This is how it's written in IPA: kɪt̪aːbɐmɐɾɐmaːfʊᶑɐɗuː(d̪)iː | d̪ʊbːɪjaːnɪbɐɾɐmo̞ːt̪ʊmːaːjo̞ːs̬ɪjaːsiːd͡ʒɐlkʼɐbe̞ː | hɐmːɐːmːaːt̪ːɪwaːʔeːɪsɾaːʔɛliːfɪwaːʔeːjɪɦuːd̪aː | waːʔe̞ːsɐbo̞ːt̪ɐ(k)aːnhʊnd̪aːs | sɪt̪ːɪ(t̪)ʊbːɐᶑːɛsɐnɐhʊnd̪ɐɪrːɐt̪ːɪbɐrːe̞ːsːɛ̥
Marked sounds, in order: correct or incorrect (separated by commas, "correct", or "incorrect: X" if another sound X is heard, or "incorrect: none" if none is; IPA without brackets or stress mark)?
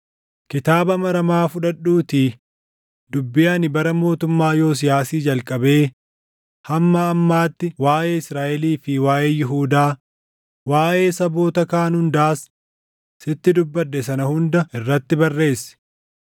incorrect: t̪, correct, incorrect: d̪